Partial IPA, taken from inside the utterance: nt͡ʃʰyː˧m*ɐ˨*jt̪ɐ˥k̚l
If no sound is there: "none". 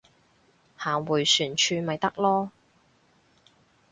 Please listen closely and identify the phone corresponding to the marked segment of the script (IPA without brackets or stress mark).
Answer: ɐ˨